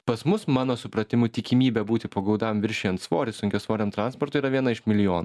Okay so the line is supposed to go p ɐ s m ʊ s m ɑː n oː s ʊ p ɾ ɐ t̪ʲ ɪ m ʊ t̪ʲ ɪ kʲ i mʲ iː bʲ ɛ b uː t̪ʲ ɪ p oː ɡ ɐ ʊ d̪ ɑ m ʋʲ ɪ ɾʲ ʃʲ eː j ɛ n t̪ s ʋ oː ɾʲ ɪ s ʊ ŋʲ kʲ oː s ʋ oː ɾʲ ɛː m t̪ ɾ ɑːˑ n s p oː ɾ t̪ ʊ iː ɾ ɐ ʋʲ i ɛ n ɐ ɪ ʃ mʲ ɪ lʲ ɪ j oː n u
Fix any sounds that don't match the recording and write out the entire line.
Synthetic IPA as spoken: p ɐ s m ʊ s m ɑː n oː s ʊ p ɾ ɐ t̪ʲ ɪ m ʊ t̪ʲ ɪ kʲ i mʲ iː bʲ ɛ b uː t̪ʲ ɪ p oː ɡ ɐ ʊ d̪ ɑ m ʋʲ ɪ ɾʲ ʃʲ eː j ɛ n t̪ s ʋ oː ɾʲ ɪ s ʊ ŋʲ kʲ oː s ʋ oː ɾʲ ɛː m t̪ ɾ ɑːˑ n s p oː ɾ t̪ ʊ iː ɾ ɐ ʋʲ i ɛ n ɐ ɪ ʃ mʲ ɪ lʲ ɪ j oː n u